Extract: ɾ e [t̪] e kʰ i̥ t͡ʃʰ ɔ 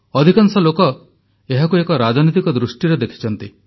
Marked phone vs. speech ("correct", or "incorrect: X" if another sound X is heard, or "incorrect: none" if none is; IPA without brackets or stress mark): incorrect: d̪